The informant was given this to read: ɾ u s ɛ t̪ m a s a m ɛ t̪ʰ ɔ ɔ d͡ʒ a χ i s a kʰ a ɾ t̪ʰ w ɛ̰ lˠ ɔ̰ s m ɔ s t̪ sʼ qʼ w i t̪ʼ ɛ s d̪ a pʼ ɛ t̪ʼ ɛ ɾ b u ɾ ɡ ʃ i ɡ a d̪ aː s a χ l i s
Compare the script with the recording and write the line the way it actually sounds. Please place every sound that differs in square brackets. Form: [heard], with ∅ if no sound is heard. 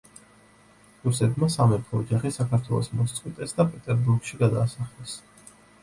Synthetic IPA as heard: ɾ u s ɛ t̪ m a s a m ɛ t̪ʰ ɔ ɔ d͡ʒ a χ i s a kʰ a ɾ t̪ʰ w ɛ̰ lˠ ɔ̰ s m ɔ s t̪ sʼ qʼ w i t̪ʼ ɛ s d̪ a pʼ ɛ t̪ʼ ɛ ɾ b u ɾ ɡ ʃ i ɡ a d̪ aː s a χ l [ɛ] s